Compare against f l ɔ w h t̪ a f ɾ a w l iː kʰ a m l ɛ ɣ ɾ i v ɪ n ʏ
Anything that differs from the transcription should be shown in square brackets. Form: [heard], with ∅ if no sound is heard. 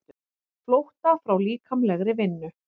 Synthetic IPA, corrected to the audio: f l [o] w h t̪ a f ɾ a w l iː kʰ a m l ɛ ɣ ɾ [ɪ] v ɪ [nː] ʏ